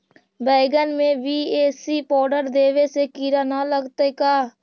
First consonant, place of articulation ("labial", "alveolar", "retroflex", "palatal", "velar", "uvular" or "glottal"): labial